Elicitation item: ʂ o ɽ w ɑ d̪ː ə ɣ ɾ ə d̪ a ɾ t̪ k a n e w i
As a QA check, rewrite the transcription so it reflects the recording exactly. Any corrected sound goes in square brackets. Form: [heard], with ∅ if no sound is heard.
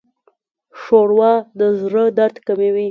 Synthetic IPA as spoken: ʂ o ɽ w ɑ [d̪] ə [z] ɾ ə d̪ a ɾ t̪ k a [m] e w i